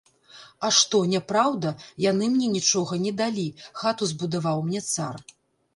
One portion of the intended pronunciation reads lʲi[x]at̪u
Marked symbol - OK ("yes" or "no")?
yes